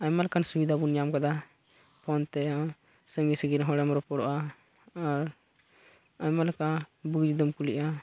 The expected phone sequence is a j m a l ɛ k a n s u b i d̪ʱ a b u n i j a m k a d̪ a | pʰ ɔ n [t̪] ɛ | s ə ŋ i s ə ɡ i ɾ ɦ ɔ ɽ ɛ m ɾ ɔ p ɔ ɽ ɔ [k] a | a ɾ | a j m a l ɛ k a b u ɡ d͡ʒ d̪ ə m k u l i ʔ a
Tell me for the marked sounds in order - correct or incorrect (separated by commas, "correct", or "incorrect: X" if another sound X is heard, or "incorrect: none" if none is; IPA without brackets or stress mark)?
correct, incorrect: ʔ